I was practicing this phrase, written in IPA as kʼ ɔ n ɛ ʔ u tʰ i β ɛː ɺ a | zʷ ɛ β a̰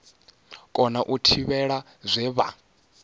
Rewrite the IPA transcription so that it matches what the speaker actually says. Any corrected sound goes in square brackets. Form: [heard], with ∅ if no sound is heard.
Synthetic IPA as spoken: kʼ ɔ n [a] ʔ u tʰ i β [ɛ] ɺ a | zʷ ɛ β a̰